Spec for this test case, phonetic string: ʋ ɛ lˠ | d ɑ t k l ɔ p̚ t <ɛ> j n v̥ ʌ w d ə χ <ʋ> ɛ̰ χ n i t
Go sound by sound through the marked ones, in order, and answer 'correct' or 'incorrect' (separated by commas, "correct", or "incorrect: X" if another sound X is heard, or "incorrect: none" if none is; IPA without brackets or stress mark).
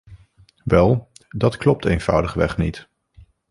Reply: incorrect: e, correct